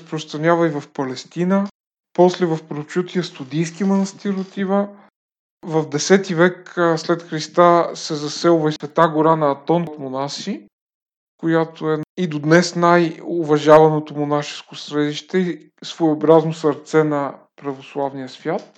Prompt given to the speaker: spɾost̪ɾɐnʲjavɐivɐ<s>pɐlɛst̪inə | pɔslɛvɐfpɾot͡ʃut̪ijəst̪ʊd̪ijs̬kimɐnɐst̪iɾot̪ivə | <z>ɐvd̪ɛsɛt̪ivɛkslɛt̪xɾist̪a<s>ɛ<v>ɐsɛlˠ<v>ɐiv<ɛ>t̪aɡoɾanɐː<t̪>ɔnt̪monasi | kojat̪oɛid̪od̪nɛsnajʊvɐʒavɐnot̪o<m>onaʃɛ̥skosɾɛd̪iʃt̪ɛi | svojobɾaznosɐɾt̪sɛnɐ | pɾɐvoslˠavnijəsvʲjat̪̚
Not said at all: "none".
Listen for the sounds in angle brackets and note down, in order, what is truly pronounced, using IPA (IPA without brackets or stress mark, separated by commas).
f, v, s, z, v, ɛ, t̪, m